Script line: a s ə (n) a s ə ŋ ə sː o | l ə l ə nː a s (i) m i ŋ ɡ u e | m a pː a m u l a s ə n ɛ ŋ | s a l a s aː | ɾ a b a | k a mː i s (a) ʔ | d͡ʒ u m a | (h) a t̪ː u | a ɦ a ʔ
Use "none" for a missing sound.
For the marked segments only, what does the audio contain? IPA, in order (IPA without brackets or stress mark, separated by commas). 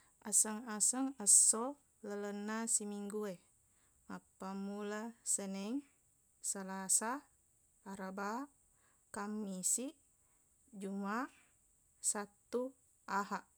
ŋ, i, i, s